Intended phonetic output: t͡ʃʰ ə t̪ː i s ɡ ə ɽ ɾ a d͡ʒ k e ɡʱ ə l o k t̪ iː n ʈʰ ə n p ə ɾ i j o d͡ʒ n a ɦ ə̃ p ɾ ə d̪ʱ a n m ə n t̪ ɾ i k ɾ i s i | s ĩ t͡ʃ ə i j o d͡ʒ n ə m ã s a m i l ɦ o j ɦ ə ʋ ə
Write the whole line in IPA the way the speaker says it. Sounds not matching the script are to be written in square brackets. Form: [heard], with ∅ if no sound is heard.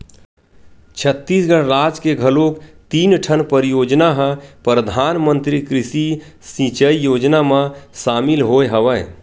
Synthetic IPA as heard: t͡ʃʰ ə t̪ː i s ɡ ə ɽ ɾ a d͡ʒ k e ɡʱ ə l o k t̪ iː n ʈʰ ə n p ə ɾ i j o d͡ʒ n a ɦ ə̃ p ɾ ə d̪ʱ a n m ə n t̪ ɾ i k ɾ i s i | s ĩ t͡ʃ ə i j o d͡ʒ n [a] m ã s a m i l ɦ o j ɦ ə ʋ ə